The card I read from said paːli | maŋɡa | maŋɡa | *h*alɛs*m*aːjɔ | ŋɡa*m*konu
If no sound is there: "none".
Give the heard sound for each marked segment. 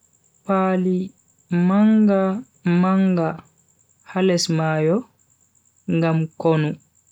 h, m, m

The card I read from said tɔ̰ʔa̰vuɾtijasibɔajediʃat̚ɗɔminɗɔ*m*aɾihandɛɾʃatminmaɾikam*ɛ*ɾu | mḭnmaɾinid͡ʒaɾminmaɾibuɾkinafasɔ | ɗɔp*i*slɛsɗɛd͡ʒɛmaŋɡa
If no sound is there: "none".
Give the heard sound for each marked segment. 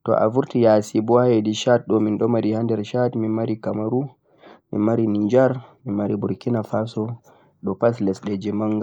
m, a, a

